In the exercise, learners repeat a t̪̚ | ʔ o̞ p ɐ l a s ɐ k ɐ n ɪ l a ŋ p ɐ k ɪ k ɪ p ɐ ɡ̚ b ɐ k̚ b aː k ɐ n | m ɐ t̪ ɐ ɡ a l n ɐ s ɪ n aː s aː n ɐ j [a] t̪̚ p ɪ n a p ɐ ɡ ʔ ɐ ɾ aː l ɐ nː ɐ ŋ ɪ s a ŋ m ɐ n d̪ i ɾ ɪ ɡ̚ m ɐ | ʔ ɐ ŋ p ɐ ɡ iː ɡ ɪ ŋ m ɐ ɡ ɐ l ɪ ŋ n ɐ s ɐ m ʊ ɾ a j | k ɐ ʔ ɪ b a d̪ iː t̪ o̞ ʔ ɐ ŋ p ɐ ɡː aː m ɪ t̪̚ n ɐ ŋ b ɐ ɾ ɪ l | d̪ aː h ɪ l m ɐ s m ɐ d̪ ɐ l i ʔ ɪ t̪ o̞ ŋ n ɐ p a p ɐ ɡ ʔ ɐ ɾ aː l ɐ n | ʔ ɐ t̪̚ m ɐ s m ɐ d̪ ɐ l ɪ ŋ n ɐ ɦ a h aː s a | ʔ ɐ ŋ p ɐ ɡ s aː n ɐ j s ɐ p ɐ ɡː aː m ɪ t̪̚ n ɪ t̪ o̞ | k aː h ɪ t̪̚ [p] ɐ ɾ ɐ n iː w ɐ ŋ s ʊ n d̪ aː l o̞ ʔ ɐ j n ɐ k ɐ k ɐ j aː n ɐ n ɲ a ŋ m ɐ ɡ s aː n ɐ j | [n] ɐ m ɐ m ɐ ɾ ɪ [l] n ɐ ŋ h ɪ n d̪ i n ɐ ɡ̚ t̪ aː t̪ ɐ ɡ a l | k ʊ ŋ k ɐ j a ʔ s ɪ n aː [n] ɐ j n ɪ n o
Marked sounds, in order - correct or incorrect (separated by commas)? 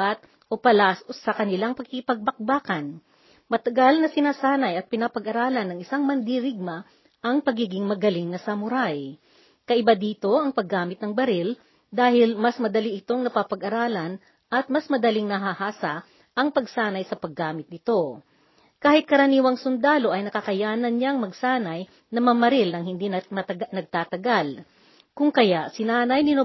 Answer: incorrect, incorrect, correct, correct, correct